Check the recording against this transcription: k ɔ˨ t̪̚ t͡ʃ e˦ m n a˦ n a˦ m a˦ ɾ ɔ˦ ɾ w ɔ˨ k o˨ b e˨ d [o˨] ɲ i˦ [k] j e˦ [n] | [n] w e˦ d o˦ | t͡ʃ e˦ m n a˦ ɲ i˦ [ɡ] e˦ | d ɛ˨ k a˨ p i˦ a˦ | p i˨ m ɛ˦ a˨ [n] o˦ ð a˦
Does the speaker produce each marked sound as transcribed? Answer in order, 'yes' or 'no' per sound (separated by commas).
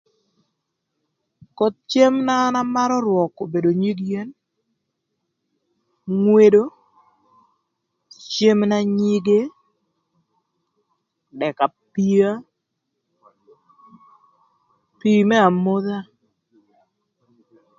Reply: yes, no, yes, no, yes, no